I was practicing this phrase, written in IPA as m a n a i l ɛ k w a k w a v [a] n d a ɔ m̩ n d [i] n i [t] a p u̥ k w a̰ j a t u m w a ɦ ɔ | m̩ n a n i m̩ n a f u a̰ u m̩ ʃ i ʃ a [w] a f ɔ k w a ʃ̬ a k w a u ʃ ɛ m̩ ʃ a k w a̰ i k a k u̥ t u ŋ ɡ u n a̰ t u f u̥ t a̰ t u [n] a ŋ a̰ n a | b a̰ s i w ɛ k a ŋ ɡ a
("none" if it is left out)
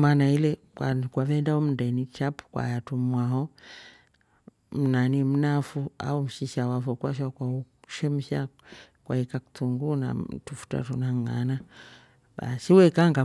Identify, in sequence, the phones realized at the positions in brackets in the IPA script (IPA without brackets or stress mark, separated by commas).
ɛ, ɛ, t͡ʃ, w, n